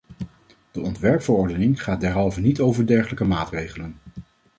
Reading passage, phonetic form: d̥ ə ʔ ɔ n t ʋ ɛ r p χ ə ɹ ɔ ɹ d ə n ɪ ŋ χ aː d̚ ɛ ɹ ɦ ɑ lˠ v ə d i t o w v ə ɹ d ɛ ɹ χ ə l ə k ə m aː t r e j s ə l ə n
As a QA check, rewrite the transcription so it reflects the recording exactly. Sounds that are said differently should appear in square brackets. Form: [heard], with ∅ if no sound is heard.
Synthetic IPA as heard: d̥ ə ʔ ɔ n t ʋ ɛ [ɹ] p [f] ə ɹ ɔ ɹ d ə n ɪ ŋ χ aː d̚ ɛ ɹ ɦ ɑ lˠ v ə [n] i t o w v ə ɹ d ɛ ɹ χ ə l ə k ə m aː t r e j [χ] ə l ə n